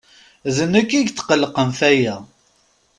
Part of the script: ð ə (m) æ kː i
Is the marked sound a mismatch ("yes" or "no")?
yes